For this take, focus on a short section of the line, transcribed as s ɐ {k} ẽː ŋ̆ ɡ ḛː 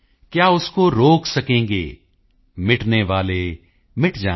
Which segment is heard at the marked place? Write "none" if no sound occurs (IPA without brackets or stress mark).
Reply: k